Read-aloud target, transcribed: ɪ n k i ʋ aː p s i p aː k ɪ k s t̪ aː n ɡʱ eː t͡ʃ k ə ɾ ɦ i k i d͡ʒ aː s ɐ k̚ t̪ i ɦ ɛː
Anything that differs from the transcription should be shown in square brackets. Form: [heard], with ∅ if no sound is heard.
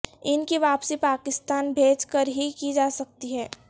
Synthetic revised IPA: ɪ n k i ʋ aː p s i p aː k ɪ [∅] s t̪ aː n [bʱ] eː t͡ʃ k ə ɾ ɦ i k i d͡ʒ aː s ɐ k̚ t̪ i ɦ ɛː